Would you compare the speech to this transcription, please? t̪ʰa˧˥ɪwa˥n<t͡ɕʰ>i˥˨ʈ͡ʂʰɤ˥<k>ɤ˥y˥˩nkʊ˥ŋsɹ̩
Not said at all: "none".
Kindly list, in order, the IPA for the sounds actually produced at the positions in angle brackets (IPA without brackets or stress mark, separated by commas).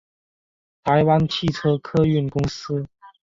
t͡ɕʰ, kʰ